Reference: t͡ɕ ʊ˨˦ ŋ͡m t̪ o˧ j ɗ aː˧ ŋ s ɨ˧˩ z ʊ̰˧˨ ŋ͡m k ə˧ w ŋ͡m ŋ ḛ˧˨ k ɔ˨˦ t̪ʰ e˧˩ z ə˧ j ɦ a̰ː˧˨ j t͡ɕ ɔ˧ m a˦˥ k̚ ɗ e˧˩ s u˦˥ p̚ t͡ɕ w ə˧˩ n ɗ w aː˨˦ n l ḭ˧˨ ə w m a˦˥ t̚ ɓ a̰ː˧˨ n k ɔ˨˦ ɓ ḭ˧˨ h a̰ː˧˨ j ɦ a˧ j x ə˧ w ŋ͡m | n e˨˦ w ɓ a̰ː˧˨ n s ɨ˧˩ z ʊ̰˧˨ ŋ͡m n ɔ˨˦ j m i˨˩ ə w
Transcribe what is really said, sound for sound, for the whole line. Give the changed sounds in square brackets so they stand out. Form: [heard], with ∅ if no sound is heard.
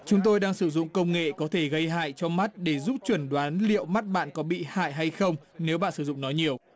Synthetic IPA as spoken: t͡ɕ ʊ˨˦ ŋ͡m t̪ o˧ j ɗ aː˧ ŋ s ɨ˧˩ z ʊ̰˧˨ ŋ͡m k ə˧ w ŋ͡m ŋ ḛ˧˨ k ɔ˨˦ t̪ʰ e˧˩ [ɣ] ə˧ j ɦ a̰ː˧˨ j t͡ɕ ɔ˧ m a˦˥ [t̚] ɗ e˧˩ [z] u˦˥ p̚ t͡ɕ w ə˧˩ n ɗ w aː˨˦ n l ḭ˧˨ ə w m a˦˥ t̚ ɓ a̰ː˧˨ n k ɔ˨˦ ɓ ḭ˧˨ h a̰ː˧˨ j ɦ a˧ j x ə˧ w ŋ͡m | n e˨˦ w ɓ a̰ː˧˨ n s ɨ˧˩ z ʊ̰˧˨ ŋ͡m n ɔ˨˦ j [ɲ] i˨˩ ə w